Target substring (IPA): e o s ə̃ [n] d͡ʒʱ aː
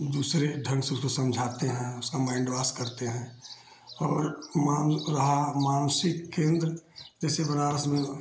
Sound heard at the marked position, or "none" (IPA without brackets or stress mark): m